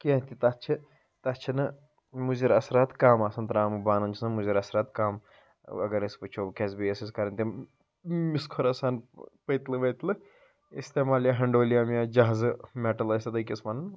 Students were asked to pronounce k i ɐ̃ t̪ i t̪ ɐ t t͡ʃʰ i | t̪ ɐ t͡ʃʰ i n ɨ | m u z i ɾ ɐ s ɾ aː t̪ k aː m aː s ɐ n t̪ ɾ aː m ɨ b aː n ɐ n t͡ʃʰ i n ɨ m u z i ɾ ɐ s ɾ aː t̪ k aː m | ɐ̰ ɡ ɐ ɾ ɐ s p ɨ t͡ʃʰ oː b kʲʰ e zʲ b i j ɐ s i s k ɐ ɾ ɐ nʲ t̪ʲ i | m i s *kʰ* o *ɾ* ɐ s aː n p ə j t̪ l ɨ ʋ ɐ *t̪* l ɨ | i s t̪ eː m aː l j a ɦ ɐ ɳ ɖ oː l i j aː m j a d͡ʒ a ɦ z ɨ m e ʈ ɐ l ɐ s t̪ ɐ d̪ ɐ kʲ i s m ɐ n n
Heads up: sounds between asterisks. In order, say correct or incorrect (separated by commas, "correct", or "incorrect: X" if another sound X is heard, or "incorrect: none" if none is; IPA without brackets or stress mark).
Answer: correct, correct, correct